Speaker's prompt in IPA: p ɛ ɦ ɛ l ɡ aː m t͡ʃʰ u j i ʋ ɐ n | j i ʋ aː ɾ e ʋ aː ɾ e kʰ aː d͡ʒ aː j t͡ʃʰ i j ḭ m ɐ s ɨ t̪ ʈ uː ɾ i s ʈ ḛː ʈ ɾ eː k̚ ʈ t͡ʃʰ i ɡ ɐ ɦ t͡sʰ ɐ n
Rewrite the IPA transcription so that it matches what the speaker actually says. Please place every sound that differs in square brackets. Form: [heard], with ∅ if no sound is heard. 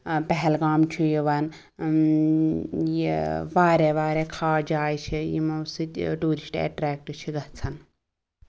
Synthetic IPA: p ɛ ɦ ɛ l ɡ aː m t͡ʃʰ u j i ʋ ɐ n | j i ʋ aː ɾ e ʋ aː ɾ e kʰ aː d͡ʒ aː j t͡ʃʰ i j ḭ m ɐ s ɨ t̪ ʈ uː ɾ i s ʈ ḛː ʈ ɾ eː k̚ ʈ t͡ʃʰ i ɡ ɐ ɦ t͡sʰ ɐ n